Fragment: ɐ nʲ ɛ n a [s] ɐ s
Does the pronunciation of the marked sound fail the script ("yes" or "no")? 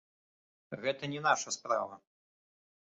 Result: yes